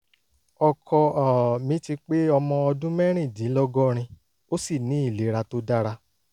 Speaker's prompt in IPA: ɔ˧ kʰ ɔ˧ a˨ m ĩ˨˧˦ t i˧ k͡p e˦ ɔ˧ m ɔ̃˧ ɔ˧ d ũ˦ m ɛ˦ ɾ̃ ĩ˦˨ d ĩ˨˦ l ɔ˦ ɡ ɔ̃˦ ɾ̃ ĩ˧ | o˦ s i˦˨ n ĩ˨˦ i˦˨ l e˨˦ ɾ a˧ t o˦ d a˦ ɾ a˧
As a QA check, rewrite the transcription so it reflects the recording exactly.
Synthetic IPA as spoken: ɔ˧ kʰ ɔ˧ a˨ m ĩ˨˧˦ t i˧ k͡p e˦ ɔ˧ m ɔ̃˧ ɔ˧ d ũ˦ m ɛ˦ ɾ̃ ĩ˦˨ d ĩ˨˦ l ɔ˦ ɡ ɔ˦ ɾ̃ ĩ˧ | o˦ s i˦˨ n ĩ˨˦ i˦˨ l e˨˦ ɾ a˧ t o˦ d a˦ ɾ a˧

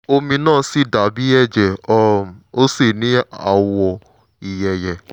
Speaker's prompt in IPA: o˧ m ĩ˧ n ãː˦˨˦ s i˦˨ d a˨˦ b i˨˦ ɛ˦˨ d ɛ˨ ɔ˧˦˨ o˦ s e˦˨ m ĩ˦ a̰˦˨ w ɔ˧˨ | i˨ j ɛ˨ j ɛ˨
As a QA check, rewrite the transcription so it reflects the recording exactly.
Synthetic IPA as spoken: o˧ m ĩ˧ n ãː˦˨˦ s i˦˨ d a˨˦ b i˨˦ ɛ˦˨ d͡ʒ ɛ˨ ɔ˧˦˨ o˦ s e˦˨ n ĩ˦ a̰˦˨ w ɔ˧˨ | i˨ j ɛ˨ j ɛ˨

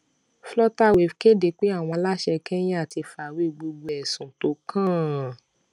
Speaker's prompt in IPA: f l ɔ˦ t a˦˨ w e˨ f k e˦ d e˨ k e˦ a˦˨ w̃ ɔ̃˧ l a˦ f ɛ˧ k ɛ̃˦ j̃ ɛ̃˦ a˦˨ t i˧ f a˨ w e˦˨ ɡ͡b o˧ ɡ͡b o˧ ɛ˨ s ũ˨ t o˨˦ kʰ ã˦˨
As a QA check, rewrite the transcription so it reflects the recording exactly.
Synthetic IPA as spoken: f l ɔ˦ t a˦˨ w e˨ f k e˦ d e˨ k͡p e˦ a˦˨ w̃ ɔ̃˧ l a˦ ʃ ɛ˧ k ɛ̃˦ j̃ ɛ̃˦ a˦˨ t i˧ f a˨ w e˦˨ ɡ͡b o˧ ɡ͡b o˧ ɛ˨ s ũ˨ t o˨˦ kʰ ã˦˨

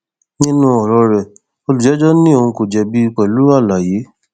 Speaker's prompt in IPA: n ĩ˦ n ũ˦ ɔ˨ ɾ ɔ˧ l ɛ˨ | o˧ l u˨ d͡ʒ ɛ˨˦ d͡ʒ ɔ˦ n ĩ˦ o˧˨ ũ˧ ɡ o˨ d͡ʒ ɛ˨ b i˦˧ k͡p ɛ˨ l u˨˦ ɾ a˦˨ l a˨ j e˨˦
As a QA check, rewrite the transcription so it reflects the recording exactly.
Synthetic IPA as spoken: n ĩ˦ n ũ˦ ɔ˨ ɾ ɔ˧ ɾ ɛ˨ | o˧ l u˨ d͡ʒ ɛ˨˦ d͡ʒ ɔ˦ n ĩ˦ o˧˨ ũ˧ k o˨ d͡ʒ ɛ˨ b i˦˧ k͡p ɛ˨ l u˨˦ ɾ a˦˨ l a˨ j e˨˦

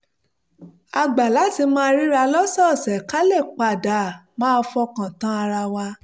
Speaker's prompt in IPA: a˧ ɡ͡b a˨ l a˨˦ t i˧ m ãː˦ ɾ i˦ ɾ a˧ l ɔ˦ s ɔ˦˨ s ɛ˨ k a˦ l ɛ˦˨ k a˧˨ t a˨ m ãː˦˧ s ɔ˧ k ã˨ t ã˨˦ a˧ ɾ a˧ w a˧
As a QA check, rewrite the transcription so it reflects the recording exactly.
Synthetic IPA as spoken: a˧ ɡ͡b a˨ l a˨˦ t i˧ m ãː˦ ɾ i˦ ɾ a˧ l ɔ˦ s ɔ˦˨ s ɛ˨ k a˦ l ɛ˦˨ k͡p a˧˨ d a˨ m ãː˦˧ f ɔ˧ k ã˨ t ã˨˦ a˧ ɾ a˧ w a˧

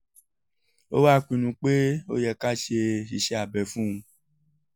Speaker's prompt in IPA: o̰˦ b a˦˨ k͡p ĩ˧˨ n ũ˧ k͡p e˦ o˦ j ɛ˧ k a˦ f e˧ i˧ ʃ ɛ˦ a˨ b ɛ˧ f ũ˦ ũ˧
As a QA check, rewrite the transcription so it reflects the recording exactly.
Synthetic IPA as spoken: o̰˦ w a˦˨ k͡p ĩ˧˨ n ũ˧ k͡p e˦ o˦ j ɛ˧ k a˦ ʃ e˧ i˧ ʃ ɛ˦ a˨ b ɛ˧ f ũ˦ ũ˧

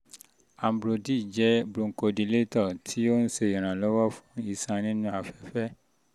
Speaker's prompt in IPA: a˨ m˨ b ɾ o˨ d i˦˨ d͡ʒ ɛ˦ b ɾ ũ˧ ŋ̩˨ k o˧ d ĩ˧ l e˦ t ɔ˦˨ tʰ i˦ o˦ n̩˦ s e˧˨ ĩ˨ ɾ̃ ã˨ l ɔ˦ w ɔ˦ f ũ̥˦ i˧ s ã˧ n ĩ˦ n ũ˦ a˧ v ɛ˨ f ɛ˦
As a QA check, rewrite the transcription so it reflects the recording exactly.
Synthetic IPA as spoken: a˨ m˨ b ɾ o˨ d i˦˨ d͡ʒ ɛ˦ b ɾ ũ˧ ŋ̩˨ k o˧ d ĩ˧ l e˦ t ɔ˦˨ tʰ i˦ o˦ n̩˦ s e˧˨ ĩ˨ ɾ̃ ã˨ l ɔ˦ w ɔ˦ f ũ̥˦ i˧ s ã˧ n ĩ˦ n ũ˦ a˧ f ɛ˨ f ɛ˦

